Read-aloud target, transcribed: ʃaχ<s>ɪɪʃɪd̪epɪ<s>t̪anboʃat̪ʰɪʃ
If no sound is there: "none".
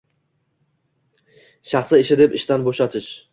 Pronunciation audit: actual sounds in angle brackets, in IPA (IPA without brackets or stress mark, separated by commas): s, ʃ